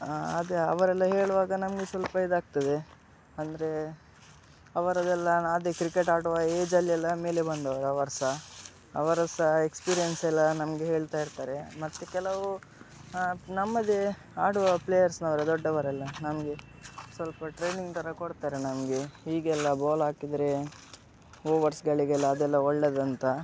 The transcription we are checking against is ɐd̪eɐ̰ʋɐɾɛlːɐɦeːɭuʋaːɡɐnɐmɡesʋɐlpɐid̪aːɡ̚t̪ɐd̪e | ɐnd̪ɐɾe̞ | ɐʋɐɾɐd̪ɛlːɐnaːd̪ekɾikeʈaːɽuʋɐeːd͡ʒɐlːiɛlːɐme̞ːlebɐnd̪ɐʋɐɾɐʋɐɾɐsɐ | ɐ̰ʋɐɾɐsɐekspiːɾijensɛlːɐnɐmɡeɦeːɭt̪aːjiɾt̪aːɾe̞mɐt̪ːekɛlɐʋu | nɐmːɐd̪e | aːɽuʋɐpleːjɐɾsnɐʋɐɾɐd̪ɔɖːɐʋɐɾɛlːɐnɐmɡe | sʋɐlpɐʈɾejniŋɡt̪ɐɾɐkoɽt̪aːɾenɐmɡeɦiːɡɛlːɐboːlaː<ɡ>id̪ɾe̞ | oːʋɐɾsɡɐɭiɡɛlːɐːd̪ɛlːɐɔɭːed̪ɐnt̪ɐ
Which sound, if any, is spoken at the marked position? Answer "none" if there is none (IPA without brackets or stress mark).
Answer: k